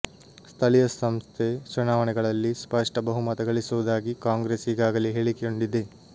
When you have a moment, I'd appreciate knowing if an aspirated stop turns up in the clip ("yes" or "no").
yes